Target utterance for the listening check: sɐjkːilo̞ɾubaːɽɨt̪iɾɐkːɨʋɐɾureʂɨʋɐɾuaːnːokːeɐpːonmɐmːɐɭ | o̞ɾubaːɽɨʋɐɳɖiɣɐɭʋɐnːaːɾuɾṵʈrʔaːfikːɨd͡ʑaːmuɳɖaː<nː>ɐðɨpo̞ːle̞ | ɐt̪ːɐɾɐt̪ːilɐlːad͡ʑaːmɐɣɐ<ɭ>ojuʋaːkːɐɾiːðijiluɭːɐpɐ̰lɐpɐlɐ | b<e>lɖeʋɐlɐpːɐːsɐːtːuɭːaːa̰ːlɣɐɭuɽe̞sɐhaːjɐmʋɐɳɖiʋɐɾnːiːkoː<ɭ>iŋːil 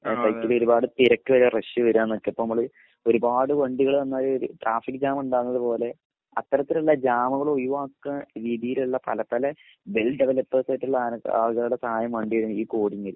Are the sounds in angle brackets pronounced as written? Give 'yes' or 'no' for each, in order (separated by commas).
yes, yes, yes, no